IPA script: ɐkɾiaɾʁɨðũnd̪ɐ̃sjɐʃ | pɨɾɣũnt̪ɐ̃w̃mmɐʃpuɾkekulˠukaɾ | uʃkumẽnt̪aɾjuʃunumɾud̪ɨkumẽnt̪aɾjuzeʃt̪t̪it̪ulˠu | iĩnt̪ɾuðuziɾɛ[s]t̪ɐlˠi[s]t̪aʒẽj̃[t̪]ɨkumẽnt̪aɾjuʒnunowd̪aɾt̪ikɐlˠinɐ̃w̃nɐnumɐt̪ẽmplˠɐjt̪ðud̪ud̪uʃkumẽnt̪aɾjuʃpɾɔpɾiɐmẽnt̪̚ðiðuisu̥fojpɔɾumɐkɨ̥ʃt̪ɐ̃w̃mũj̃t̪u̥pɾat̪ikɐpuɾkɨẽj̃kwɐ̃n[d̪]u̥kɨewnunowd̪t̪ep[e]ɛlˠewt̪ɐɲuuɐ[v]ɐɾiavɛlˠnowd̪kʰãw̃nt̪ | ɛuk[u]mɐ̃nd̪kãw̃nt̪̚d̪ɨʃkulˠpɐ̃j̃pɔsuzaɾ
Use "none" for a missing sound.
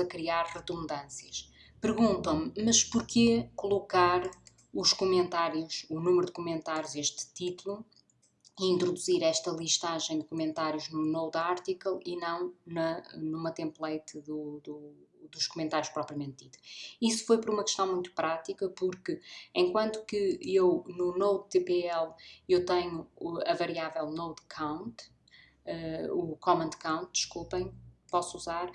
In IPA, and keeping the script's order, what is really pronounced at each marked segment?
ʃ, ʃ, d̪, t̪, e, v, ɔ

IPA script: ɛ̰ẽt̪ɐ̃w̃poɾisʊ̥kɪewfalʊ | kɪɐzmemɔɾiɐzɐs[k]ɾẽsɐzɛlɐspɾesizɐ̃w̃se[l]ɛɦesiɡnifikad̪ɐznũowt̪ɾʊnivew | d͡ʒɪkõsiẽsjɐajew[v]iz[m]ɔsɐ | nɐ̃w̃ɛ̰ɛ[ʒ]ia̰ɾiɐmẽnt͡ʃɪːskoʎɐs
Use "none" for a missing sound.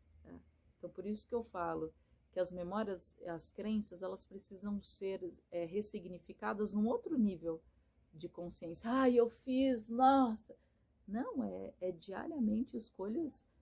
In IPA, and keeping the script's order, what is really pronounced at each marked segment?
k, ɾ, f, n, d͡ʒ

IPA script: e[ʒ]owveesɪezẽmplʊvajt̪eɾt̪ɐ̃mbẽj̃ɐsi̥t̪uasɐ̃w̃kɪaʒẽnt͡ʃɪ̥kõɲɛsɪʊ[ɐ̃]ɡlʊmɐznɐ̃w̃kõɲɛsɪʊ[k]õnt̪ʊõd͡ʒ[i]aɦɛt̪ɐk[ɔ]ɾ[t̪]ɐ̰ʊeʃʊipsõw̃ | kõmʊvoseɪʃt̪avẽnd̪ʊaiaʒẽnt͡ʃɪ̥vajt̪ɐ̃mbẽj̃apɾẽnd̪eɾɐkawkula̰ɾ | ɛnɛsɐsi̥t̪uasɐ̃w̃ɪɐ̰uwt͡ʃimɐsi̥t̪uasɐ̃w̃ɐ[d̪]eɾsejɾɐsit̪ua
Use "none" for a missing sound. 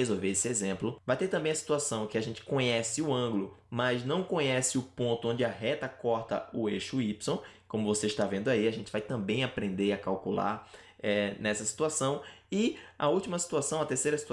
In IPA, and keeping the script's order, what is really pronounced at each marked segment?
z, ɐ̃, p, ɪ, ɔ, t̪, t̪

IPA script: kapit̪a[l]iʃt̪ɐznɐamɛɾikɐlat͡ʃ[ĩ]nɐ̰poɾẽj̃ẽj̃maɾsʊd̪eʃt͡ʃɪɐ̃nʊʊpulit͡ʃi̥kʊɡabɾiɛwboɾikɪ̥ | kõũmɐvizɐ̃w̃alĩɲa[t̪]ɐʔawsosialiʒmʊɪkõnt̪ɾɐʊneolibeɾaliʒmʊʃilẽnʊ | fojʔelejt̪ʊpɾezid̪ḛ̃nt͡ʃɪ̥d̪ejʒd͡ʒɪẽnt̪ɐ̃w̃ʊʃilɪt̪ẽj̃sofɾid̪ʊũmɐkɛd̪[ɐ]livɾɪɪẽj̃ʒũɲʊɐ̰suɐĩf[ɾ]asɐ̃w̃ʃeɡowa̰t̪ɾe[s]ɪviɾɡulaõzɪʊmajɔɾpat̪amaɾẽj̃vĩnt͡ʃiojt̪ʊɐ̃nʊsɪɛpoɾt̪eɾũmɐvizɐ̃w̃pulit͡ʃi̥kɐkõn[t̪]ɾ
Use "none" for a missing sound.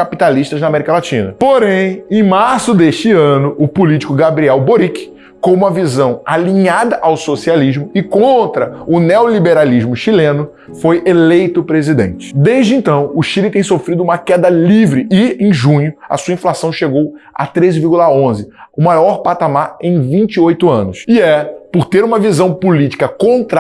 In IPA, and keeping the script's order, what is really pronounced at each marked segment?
l, ĩ, d̪, ɐ, l, z, t̪

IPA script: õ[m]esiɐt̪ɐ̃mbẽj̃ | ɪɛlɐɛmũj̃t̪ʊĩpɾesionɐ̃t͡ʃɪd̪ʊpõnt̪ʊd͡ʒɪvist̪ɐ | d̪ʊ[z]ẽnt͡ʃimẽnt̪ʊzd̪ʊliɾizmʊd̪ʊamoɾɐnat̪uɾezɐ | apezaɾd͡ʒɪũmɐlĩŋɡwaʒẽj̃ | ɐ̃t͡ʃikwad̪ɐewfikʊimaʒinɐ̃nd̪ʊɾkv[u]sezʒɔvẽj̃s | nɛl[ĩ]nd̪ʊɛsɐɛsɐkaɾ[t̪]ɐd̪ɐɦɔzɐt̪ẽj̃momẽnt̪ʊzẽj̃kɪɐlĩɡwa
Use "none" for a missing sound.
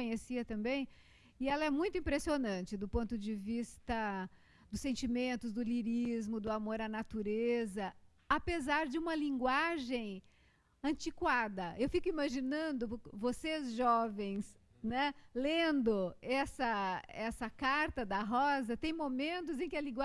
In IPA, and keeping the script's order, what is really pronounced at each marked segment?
ɲ, s, o, ẽ, t̪

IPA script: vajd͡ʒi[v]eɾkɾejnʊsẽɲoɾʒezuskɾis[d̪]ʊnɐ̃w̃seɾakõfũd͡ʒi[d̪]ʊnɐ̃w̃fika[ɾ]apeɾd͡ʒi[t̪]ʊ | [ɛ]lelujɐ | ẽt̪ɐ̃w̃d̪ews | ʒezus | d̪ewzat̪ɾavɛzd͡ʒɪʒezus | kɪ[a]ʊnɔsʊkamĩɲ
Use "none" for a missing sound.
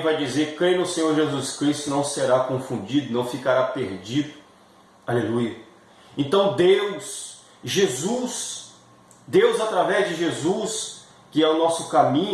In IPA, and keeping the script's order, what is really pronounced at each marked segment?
z, t̪, d̪, ɾ, d̪, a, ɛ

